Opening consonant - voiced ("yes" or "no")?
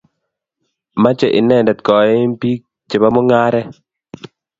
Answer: yes